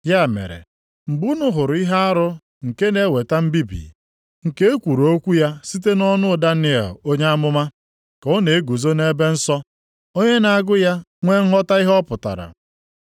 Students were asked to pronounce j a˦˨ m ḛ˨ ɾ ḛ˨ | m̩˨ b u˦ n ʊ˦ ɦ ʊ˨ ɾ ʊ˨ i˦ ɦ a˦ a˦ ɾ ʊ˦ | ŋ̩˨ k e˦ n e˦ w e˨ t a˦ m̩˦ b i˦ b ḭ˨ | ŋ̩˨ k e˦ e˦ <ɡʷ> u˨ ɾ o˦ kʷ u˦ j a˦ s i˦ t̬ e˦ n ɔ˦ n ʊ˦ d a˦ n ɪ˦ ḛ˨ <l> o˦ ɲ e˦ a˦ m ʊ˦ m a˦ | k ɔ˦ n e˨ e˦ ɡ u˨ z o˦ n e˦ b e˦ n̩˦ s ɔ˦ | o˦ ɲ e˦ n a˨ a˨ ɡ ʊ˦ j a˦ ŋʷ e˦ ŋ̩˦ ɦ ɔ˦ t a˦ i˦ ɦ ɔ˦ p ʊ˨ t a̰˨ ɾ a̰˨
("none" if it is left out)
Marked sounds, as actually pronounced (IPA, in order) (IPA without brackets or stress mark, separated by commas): kʷ, l